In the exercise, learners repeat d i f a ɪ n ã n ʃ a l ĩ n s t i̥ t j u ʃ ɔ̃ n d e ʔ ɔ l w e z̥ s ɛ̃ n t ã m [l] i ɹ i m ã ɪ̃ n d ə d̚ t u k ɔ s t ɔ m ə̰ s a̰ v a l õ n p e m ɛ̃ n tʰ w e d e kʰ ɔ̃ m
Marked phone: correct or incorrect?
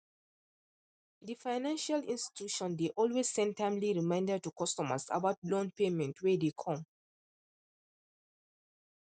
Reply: correct